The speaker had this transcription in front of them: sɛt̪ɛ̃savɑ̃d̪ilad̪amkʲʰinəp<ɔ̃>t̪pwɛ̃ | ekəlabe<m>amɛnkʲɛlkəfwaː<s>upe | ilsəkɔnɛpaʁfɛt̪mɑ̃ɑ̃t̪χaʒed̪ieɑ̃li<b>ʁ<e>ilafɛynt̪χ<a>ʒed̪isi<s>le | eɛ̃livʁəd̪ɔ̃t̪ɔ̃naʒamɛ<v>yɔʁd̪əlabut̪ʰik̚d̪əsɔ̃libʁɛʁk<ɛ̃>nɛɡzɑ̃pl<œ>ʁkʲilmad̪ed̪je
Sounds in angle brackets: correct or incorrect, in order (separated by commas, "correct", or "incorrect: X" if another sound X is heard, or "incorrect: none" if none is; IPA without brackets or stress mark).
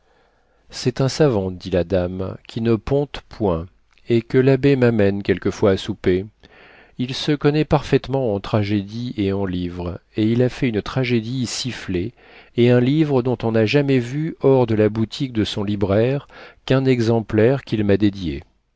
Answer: correct, correct, correct, incorrect: v, correct, correct, incorrect: f, correct, correct, incorrect: ɛ